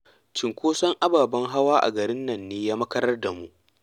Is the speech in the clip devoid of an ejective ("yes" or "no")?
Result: yes